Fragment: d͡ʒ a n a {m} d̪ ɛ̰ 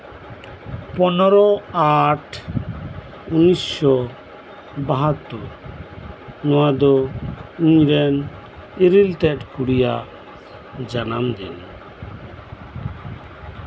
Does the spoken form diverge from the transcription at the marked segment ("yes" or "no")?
no